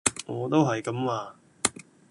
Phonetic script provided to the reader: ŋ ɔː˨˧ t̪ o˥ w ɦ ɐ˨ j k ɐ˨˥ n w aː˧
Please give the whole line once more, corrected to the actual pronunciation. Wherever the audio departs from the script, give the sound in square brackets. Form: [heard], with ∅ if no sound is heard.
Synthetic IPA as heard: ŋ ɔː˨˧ t̪ o˥ w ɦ ɐ˨ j k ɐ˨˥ [m] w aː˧